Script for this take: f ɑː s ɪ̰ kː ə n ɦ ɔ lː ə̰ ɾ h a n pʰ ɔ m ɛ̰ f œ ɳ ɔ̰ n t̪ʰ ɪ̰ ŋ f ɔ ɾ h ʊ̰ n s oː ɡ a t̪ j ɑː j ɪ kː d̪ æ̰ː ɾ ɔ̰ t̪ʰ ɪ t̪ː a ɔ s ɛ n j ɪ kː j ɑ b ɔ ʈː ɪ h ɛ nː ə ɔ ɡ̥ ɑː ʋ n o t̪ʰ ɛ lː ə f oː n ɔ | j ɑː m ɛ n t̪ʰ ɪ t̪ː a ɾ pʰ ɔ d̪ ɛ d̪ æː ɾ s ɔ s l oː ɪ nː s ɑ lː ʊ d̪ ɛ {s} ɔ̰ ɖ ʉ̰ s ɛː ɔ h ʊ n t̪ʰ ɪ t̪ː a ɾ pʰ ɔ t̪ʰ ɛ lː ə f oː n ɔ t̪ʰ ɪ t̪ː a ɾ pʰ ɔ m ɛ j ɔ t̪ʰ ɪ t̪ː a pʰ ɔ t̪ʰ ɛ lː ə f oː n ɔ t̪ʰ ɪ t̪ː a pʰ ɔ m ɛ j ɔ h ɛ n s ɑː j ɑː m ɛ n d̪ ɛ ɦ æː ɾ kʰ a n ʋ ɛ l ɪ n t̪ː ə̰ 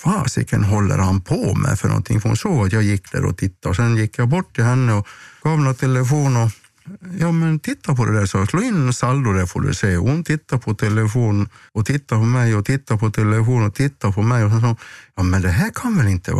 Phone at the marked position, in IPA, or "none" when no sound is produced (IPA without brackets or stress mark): f